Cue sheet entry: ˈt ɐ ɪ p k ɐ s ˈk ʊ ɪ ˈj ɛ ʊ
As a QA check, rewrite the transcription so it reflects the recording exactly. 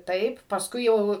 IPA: ˈt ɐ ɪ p p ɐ s ˈk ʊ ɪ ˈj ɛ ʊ